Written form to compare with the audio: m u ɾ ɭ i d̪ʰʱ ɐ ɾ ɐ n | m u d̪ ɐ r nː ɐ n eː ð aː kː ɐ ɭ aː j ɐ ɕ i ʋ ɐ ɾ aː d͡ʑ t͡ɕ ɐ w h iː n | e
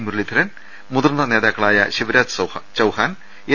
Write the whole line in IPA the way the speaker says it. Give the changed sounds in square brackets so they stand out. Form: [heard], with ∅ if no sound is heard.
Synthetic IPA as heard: m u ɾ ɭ i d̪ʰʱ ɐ ɾ ɐ n | m u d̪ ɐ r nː ɐ n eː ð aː kː ɐ ɭ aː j ɐ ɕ i ʋ ɐ ɾ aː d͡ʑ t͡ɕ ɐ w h [aː] n | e